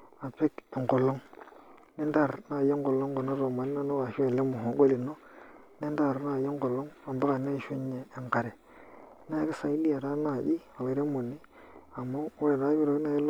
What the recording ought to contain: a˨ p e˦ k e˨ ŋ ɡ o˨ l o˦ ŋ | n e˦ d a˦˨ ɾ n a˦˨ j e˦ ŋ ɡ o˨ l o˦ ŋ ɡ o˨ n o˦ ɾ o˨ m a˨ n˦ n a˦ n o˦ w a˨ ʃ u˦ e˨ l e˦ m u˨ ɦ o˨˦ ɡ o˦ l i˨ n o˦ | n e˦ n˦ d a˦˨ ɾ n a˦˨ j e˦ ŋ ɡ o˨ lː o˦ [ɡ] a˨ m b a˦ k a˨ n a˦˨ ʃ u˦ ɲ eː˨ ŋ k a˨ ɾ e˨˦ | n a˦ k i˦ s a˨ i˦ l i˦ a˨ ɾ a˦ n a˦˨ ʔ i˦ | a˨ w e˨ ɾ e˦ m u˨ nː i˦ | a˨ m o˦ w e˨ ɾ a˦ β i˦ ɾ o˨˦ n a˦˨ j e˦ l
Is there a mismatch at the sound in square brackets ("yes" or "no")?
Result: yes